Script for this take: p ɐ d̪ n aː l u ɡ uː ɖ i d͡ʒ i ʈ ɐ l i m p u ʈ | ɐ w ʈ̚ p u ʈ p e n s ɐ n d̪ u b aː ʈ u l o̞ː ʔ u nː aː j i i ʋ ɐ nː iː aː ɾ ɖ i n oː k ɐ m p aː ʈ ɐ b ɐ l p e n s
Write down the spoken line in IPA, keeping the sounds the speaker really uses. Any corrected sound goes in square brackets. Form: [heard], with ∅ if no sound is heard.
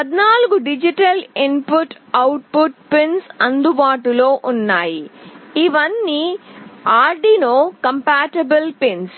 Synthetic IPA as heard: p ɐ d̪ n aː l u ɡ [u] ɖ i d͡ʒ i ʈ ɐ l i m p u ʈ | ɐ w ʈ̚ p u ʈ p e n s ɐ n d̪ u b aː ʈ u l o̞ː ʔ u nː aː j i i ʋ ɐ nː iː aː ɾ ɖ i n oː k ɐ m p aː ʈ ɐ b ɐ l p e n s